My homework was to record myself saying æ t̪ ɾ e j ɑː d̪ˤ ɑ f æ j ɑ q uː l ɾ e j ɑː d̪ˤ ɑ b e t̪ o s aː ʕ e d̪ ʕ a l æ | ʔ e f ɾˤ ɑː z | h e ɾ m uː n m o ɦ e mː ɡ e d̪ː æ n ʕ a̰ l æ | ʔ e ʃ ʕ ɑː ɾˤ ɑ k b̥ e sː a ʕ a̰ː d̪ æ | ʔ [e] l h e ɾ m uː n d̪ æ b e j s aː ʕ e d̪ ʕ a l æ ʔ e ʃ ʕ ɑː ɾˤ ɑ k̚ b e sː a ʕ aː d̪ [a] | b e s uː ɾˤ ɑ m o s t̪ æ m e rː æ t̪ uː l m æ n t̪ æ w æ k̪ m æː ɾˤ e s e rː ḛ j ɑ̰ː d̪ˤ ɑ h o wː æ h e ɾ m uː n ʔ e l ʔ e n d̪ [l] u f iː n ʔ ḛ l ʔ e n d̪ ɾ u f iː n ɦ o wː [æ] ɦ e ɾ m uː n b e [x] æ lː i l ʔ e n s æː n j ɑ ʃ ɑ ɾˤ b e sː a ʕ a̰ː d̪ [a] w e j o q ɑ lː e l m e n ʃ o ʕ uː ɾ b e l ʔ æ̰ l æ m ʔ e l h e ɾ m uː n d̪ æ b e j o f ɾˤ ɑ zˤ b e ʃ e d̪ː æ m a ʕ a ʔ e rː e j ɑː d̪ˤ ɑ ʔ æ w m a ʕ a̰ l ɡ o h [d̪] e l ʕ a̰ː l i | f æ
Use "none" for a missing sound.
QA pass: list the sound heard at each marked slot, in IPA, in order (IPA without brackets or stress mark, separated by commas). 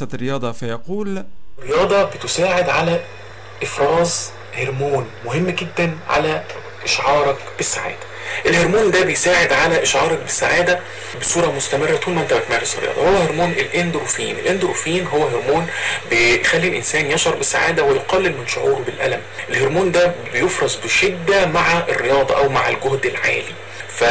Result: e, æ, ɾ, æ, x, æ, d̪